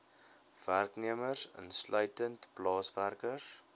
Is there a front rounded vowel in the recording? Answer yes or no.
yes